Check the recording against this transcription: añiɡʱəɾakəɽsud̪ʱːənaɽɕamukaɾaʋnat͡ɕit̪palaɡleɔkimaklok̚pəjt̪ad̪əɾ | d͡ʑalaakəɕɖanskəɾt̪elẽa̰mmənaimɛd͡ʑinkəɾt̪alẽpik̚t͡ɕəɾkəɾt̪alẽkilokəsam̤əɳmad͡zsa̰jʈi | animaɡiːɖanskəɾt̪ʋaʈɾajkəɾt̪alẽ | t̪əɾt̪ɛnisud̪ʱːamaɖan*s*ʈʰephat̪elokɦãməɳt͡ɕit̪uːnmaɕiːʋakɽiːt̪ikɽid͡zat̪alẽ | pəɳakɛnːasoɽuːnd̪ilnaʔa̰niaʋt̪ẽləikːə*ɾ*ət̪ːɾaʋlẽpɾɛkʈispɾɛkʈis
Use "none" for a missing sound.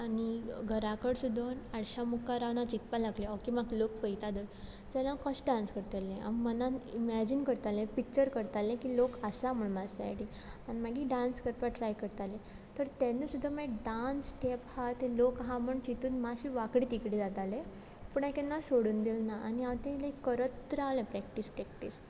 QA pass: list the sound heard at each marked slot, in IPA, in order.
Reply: s, ɾ

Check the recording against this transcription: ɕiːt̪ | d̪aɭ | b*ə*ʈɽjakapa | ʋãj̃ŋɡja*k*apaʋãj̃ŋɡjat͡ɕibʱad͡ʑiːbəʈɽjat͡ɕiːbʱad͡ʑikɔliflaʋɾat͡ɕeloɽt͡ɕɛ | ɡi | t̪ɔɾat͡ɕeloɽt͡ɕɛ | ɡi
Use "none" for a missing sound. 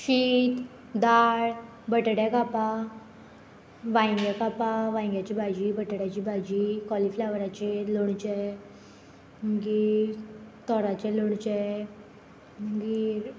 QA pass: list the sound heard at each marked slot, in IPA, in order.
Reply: ə, k

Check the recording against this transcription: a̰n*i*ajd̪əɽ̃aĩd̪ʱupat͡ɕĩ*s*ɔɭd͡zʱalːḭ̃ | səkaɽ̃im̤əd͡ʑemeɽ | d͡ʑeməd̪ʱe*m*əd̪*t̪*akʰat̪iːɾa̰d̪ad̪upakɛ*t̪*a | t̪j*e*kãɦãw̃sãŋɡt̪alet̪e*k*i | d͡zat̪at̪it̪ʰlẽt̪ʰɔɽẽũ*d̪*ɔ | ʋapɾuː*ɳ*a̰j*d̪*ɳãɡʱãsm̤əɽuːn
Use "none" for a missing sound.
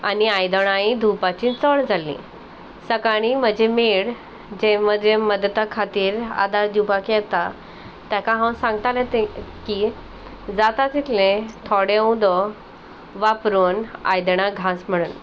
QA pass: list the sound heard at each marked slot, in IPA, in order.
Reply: i, t͡s, m, t̪, t̪, a, k, d̪, n, d̪

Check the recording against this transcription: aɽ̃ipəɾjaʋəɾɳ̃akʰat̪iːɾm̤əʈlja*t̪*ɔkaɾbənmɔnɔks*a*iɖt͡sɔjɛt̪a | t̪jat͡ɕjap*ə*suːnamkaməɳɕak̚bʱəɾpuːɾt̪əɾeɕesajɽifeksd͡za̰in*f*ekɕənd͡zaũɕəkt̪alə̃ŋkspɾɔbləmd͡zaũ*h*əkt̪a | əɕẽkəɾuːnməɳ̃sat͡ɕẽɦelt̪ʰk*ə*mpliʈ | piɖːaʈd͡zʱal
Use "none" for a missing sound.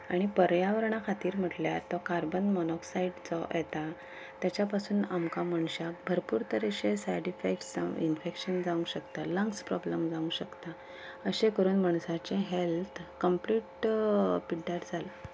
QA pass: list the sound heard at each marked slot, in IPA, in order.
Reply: t̪, a, a, f, ɕ, ə

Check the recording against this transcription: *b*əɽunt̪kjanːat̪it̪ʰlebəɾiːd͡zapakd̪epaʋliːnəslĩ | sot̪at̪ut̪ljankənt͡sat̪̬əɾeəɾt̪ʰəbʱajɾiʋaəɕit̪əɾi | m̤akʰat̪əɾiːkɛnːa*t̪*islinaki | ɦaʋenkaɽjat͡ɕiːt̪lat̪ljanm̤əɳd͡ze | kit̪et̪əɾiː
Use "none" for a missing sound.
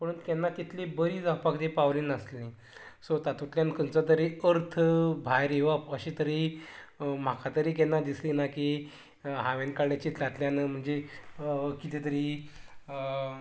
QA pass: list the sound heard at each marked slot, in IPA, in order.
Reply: p, d̪

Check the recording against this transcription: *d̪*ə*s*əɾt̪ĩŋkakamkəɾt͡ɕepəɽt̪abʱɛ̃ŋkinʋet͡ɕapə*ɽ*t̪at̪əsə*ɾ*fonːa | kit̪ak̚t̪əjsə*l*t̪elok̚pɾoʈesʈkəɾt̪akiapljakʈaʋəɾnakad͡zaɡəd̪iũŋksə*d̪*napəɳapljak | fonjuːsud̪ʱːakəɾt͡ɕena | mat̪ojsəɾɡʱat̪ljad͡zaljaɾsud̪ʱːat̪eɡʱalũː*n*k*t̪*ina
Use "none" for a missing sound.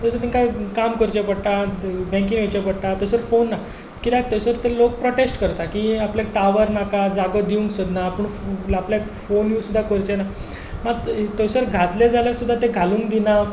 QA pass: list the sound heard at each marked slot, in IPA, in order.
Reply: t̪, s, ɽ, ɾ, ɾ, d̪, ŋ, d̪

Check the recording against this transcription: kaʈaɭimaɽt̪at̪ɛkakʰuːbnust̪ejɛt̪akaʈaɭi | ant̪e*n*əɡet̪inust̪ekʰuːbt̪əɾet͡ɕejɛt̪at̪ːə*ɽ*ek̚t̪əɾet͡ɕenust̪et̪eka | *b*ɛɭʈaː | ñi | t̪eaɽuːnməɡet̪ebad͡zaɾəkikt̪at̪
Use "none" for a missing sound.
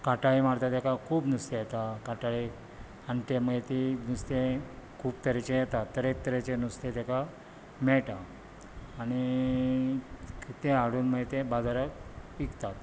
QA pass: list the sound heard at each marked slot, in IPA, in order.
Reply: m, ɾ, m

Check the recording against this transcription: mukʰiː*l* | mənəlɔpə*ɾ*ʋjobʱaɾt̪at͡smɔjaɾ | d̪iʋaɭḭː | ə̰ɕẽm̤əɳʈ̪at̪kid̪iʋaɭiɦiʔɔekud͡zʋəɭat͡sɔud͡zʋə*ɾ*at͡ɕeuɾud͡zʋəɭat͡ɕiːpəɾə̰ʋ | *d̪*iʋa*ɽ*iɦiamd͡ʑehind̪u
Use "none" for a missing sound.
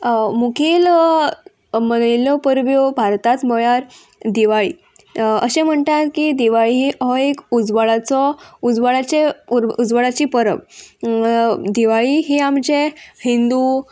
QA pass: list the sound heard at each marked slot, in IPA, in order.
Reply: l, ɾ, ɭ, d̪, ɭ

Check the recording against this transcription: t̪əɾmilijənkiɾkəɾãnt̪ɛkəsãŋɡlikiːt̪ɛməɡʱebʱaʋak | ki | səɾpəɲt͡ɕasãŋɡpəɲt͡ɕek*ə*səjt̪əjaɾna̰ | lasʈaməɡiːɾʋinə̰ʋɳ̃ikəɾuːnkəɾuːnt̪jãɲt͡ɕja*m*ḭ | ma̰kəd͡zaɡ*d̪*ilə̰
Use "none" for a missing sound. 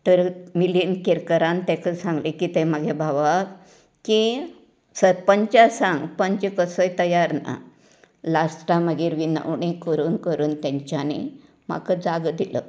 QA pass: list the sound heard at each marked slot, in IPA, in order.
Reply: ə, n, d̪

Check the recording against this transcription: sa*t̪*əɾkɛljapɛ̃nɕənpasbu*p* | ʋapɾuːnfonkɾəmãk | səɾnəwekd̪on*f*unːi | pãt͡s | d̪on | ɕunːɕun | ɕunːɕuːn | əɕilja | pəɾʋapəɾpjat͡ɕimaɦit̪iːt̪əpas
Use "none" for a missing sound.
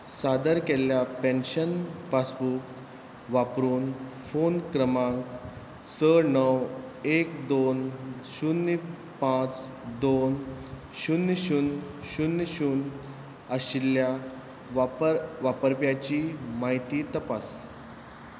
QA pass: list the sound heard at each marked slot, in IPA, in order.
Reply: d̪, k, ɕ

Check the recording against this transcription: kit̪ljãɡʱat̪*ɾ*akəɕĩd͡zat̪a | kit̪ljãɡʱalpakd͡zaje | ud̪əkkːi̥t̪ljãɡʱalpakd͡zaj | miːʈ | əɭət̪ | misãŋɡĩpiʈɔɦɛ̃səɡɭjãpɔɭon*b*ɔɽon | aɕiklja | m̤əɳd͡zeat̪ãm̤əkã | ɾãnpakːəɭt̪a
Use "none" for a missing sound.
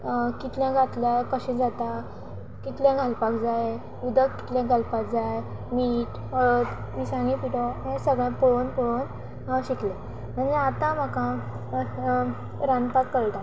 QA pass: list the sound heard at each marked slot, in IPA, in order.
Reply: l, p

